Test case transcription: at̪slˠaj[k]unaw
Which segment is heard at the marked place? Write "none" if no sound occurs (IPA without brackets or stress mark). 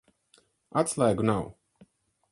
ɡ